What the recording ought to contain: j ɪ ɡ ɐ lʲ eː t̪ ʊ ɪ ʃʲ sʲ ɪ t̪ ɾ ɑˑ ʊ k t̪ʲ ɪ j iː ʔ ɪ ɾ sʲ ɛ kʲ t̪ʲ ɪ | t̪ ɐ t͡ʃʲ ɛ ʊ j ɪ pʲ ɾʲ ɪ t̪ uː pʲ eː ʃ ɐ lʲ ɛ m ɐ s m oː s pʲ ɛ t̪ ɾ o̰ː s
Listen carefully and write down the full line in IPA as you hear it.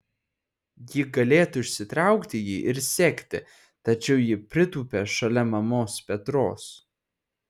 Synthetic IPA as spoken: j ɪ ɡ ɐ lʲ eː t̪ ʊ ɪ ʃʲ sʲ ɪ t̪ ɾ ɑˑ ʊ k t̪ʲ ɪ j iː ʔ ɪ ɾ sʲ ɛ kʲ t̪ʲ ɪ | t̪ ɐ t͡ʃʲ ɛ ʊ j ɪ pʲ ɾʲ ɪ t̪ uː pʲ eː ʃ ɐ lʲ ɛ m ɐ m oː s pʲ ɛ t̪ ɾ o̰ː s

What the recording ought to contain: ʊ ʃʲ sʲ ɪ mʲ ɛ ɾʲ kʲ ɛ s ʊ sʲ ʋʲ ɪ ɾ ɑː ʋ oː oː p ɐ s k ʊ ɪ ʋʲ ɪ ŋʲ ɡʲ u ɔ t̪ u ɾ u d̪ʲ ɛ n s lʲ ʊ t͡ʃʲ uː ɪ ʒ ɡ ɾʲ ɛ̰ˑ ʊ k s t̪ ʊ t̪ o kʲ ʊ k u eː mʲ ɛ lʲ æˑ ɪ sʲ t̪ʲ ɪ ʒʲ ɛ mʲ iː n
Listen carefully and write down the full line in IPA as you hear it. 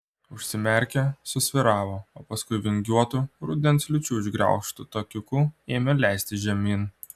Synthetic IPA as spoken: ʊ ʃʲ sʲ ɪ mʲ ɛ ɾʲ kʲ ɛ s ʊ sʲ ʋʲ ɪ ɾ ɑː ʋ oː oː p ɐ s k ʊ ɪ ʋʲ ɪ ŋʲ ɡʲ u ɔ t̪ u ɾ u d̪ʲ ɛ n s lʲ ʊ t͡ʃʲ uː ɪ ʒ ɡ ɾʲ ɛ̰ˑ ʊ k ʃ t̪ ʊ t̪ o kʲ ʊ k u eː mʲ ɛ lʲ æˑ ɪ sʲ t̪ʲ ɪ ʒʲ ɛ mʲ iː n

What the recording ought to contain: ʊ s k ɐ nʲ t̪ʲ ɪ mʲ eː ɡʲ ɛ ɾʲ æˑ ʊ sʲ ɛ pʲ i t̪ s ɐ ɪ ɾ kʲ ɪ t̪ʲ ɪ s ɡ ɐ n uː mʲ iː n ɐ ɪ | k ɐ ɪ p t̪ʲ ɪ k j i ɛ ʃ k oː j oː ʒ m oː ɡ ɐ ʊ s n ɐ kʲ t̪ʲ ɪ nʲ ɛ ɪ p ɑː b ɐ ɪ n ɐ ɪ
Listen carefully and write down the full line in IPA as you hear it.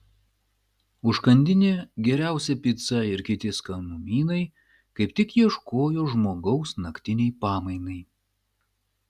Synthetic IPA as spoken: ʊ ʃ k ɐ nʲ d̪ʲ ɪ nʲ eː ɡʲ ɛ ɾʲ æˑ ʊ sʲ ɛ pʲ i t̪ s ɐ ɪ ɾ kʲ ɪ t̪ʲ ɪ s k ɐ n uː mʲ iː n ɐ ɪ | k ɐ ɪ p t̪ʲ ɪ k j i ɛ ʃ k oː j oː ʒ m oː ɡ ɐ ʊ s n ɐ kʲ t̪ʲ ɪ nʲ ɛ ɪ p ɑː m ɐ ɪ n ɐ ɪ

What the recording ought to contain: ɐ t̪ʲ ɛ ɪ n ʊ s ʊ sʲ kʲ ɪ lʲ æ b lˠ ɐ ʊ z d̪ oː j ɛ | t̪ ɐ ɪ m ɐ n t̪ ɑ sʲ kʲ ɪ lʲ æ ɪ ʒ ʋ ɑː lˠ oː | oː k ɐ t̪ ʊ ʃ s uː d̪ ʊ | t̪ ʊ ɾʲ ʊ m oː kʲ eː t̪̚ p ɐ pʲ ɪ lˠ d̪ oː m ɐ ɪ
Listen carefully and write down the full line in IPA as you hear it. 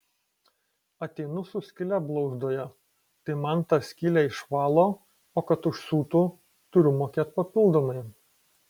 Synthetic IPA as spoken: ɐ t̪ʲ ɛ ɪ n ʊ s ʊ sʲ kʲ ɪ lʲ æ b lˠ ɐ ʊ z d̪ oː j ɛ | t̪ ɐ ɪ m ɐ n t̪ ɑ sʲ kʲ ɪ lʲ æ ɪ ʃ ʋ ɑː lˠ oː | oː k ɐ t̪ ʊ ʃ s uː t̪ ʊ | t̪ ʊ ɾʲ ʊ m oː kʲ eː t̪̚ p ɐ pʲ ɪ lˠ d̪ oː m ɐ ɪ

